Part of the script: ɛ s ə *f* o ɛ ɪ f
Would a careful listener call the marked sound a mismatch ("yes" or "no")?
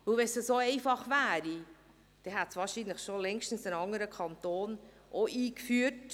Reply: yes